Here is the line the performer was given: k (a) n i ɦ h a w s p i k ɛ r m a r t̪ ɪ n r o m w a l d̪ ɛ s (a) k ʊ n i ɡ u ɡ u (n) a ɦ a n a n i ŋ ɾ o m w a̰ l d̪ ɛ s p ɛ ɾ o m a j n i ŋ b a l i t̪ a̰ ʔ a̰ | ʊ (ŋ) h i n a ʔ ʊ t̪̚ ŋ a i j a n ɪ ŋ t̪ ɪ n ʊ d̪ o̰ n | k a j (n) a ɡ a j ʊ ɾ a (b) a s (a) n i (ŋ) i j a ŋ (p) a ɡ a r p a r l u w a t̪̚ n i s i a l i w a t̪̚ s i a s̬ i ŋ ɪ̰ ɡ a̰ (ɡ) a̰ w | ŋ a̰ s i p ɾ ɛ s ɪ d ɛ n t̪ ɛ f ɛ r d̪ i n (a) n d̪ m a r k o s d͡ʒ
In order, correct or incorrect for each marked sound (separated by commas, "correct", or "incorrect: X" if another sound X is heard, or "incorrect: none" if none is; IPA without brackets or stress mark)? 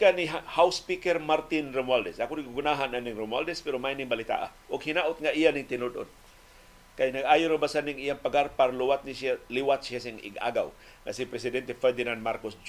correct, correct, correct, incorrect: ɡ, correct, correct, correct, correct, correct, correct, correct